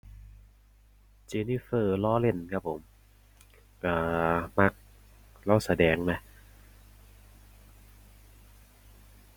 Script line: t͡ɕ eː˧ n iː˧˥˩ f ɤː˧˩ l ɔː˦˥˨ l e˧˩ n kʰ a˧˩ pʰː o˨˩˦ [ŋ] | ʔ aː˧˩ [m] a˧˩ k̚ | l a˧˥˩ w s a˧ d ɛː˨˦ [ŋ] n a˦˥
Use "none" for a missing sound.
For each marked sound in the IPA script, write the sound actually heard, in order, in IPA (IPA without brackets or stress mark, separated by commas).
m, m, ŋ